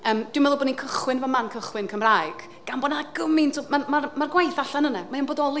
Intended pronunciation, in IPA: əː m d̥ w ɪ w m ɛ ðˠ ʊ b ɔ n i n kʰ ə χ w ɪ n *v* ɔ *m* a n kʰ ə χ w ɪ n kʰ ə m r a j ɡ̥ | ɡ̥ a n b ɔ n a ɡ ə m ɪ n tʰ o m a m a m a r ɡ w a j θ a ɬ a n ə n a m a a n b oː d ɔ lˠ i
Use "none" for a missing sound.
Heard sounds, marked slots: v, m

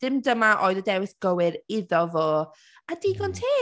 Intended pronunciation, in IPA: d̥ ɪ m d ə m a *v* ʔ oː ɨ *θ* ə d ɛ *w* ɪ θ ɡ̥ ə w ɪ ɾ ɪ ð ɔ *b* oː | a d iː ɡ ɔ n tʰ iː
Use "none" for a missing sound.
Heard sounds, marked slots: none, ð, w, v

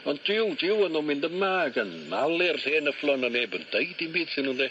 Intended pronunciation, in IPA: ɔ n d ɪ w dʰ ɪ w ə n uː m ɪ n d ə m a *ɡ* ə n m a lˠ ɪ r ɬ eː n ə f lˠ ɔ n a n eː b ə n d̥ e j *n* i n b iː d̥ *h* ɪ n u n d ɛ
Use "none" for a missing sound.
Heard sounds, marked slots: ɡ, d, s

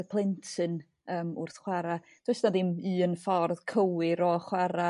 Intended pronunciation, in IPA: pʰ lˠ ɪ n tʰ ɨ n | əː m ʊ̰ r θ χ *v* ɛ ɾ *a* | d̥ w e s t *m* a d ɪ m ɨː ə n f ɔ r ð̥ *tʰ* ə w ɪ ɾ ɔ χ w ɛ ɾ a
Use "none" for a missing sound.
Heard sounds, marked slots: w, a, n, kʰ

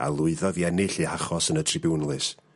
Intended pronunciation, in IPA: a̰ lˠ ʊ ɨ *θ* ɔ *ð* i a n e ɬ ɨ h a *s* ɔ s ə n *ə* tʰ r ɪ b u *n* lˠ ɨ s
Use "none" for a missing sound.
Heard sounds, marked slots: ð, ð, χ, ə, n

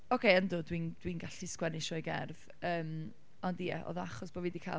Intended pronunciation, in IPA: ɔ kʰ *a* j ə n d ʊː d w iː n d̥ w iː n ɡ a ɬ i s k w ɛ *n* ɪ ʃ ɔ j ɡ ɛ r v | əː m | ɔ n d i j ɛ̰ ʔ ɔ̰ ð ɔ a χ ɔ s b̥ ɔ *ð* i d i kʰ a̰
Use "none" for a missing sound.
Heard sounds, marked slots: e, n, v

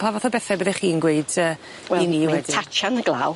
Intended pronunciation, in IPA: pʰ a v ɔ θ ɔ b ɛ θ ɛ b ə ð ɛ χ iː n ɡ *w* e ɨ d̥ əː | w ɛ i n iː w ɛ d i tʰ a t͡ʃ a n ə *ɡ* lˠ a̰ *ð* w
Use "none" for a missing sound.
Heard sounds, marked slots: w, ɡ, none

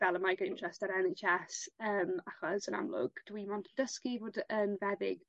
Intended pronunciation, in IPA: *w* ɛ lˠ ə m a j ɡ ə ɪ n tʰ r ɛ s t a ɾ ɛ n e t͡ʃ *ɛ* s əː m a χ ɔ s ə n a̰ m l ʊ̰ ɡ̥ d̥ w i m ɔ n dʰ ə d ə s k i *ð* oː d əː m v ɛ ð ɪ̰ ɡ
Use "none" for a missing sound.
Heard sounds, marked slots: v, ɛ, v

